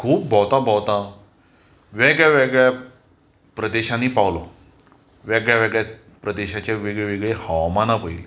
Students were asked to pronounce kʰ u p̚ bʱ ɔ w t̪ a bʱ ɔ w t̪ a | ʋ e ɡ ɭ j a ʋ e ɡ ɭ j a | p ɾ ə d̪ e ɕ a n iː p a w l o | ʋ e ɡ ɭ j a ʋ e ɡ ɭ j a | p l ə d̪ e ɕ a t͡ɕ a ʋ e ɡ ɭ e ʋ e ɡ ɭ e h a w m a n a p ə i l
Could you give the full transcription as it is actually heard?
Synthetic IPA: kʰ uː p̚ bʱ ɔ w t̪ a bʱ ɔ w t̪ a | ʋ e ɡ ɭ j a ʋ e ɡ ɭ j a | p ɾ ə d̪ e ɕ a n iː p a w l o | ʋ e ɡ ɭ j a ʋ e ɡ ɭ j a | p ɾ ə d̪ e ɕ a t͡ɕ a ʋ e ɡ ɭ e ʋ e ɡ ɭ e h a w m a n a p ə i l